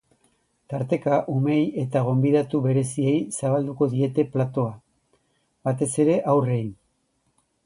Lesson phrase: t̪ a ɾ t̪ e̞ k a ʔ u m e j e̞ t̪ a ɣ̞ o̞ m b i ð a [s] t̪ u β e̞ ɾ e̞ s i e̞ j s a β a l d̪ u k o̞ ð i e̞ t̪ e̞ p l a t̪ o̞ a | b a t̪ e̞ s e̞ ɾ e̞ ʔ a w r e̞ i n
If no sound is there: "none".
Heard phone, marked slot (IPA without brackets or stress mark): none